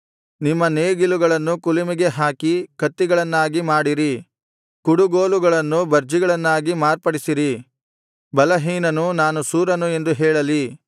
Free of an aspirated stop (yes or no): yes